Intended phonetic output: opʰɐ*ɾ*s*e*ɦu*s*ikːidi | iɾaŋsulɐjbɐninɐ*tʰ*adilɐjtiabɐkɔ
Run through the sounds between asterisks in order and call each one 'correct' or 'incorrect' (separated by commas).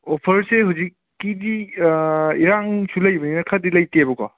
correct, correct, incorrect, incorrect